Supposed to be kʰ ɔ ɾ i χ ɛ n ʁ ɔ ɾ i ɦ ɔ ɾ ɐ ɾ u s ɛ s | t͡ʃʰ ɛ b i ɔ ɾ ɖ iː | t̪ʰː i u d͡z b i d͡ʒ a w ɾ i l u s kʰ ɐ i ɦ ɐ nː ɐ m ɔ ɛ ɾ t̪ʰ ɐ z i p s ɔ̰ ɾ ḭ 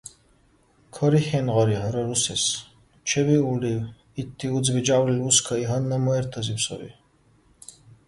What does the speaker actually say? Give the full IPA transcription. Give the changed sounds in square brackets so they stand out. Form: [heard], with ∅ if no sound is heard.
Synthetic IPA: kʰ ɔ ɾ i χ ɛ n ʁ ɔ ɾ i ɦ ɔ ɾ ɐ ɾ u s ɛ s | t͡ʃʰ ɛ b i [u] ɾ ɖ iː | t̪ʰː i u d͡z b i d͡ʒ a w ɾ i l u s kʰ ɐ i ɦ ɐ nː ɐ m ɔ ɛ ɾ t̪ʰ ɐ z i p s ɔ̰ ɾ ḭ